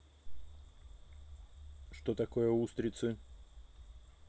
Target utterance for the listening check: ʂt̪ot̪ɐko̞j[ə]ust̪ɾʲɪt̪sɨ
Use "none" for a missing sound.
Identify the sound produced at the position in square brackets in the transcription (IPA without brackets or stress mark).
ə